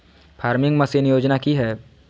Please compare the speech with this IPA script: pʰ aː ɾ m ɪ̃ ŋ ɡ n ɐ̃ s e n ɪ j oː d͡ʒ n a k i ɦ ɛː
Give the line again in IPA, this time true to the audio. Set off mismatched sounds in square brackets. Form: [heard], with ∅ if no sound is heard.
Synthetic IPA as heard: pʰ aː ɾ m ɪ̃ ŋ ɡ [m] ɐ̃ s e n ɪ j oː d͡ʒ n a k i ɦ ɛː